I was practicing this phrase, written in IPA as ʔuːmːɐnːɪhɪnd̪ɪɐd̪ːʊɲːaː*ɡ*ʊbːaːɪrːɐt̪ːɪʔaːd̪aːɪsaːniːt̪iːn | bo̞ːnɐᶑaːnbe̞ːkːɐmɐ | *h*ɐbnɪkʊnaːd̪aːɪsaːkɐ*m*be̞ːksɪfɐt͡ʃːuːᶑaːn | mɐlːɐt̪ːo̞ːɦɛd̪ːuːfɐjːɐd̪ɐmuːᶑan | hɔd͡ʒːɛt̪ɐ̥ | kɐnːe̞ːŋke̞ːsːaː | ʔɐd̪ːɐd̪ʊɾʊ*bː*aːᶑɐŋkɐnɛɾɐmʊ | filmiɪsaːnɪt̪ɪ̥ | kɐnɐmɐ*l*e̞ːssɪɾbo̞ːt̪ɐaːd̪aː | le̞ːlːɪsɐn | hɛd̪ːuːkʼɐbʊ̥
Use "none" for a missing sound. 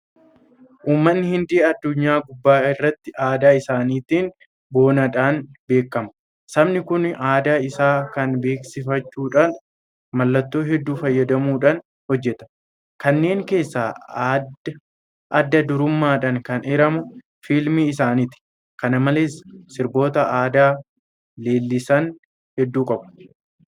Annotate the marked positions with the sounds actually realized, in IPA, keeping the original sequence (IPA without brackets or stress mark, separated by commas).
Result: ɡ, s, n, mː, l